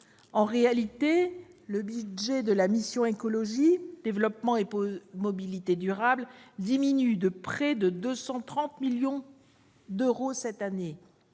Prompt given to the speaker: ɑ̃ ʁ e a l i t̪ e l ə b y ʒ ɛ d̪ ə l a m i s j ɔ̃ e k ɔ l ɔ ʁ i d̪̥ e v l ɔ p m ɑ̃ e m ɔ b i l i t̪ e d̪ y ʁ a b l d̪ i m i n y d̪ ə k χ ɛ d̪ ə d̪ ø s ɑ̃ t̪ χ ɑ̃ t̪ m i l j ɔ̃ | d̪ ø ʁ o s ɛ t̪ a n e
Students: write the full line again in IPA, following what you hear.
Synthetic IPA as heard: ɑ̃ ʁ e a l i t̪ e l ə b y ʒ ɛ d̪ ə l a m i s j ɔ̃ e k ɔ l ɔ ʒ i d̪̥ e v l ɔ p m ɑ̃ e m ɔ b i l i t̪ e d̪ y ʁ a b l d̪ i m i n y d̪ ə p χ ɛ d̪ ə d̪ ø s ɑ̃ t̪ χ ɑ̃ t̪ m i l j ɔ̃ | d̪ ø ʁ o s ɛ t̪ a n e